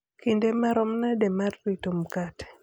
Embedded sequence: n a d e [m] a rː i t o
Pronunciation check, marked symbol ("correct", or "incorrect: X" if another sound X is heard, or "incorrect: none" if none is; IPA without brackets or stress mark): correct